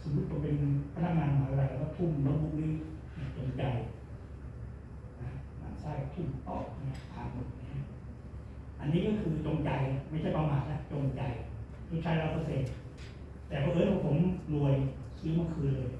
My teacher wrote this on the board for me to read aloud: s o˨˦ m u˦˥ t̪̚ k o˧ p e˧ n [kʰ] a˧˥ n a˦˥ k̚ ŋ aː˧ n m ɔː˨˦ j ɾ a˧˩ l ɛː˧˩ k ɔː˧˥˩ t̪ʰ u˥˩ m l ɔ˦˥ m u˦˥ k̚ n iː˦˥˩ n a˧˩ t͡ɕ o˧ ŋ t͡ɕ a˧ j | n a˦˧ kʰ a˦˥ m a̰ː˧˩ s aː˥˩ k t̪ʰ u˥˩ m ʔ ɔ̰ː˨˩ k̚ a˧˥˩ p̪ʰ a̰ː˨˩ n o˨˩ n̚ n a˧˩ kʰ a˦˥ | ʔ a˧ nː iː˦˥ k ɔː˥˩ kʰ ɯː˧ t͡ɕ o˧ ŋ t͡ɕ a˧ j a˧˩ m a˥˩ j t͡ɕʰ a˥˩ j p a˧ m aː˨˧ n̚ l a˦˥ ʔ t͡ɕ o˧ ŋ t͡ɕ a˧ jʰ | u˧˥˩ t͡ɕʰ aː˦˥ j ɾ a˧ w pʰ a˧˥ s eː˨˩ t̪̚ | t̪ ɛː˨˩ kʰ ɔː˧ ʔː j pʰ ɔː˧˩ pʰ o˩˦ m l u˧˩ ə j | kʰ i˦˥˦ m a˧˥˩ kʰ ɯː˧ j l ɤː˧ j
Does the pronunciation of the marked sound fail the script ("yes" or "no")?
yes